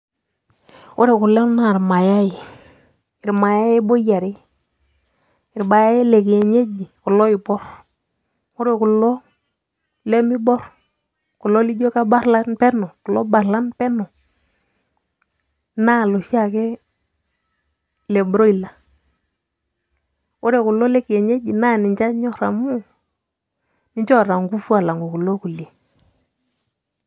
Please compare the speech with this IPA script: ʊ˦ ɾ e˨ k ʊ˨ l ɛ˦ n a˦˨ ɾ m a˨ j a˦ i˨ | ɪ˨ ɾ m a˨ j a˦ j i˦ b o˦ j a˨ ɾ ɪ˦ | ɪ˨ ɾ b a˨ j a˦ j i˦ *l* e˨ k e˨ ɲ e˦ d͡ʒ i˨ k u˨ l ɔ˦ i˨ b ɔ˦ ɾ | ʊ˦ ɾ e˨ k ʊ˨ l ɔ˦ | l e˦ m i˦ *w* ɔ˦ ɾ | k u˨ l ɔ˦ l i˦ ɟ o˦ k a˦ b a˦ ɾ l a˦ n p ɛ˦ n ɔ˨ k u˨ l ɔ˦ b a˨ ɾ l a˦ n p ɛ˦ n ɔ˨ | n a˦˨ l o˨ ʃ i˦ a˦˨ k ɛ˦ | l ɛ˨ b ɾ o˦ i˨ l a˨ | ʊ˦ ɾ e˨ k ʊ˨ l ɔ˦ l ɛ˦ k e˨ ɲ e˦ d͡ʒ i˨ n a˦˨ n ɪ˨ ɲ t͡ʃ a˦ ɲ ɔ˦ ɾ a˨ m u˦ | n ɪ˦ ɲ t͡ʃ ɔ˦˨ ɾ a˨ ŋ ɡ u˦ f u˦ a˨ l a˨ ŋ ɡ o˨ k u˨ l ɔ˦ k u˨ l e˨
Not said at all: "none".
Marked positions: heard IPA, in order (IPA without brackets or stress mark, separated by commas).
l, b